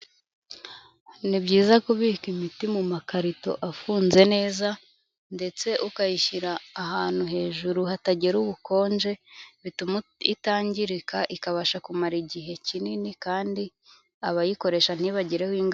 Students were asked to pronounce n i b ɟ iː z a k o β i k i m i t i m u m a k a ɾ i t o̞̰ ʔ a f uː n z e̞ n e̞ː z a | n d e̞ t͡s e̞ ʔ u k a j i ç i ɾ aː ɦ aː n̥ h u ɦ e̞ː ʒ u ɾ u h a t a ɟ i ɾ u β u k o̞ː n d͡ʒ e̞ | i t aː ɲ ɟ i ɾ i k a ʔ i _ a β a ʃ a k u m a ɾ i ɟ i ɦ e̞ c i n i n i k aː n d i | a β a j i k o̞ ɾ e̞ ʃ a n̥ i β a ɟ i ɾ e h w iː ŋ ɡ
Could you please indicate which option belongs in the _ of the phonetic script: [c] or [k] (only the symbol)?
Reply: k